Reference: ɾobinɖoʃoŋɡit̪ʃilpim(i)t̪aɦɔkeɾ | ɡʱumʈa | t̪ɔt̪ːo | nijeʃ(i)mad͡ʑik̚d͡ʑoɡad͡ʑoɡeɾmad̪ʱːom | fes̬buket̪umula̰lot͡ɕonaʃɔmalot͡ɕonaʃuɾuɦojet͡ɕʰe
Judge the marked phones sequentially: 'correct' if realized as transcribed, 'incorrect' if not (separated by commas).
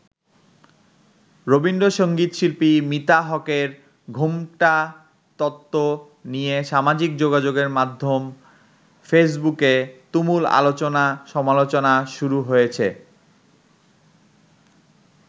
correct, incorrect